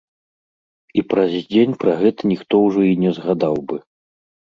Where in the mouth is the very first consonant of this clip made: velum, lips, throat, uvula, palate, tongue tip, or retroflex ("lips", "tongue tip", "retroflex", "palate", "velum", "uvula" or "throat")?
lips